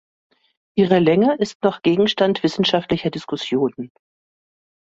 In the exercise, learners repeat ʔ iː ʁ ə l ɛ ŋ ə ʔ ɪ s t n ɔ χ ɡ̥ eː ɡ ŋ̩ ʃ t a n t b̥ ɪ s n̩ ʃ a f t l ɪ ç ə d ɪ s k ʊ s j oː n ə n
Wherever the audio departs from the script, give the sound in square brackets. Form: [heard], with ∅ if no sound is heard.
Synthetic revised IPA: ʔ iː ʁ ə l ɛ ŋ ə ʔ ɪ s t n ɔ χ ɡ̥ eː ɡ ŋ̩ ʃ t a n t [v̥] ɪ s n̩ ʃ a f t l ɪ ç [ɐ] d ɪ s k ʊ s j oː n ə n